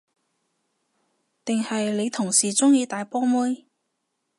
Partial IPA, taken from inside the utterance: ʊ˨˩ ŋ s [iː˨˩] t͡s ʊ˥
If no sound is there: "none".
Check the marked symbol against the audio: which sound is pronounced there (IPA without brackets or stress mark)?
iː˨˩